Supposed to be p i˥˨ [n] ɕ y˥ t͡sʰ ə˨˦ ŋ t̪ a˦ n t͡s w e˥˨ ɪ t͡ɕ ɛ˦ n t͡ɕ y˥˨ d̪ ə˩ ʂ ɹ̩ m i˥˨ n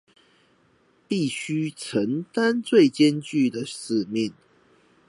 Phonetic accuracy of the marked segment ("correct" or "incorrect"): incorrect